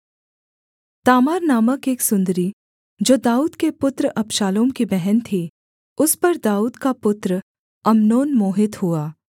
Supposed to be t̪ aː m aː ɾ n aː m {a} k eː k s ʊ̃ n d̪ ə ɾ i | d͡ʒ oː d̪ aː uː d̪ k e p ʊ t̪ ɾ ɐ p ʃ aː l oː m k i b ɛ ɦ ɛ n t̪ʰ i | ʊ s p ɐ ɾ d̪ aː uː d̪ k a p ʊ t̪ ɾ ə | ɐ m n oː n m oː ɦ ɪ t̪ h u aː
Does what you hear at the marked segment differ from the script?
yes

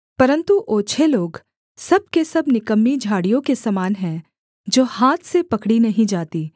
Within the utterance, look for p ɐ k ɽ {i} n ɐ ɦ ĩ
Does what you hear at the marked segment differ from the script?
no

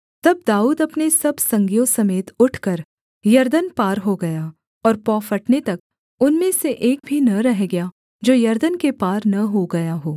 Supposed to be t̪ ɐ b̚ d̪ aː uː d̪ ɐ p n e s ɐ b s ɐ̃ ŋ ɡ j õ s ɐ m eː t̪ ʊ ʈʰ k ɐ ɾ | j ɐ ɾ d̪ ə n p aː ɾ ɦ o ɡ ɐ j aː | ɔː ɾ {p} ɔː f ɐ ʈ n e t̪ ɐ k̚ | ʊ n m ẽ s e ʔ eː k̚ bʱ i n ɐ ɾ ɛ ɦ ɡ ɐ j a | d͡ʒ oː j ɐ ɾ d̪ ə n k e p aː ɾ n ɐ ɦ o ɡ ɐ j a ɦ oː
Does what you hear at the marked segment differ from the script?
no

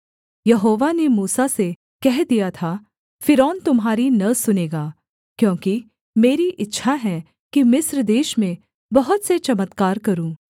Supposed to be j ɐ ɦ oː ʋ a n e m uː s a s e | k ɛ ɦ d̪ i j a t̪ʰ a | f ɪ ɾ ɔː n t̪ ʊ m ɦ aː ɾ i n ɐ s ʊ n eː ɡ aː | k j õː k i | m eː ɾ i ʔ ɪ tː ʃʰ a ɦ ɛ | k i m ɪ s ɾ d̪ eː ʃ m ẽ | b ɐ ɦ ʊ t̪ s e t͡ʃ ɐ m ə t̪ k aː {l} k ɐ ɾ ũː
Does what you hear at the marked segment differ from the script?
yes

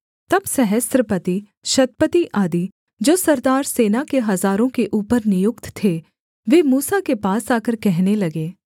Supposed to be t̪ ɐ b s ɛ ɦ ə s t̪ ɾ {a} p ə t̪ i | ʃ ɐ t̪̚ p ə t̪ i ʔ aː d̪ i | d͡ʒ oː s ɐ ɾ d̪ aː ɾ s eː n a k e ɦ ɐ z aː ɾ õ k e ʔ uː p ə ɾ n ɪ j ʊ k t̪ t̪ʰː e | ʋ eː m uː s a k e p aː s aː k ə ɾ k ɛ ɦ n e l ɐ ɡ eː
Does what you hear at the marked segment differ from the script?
yes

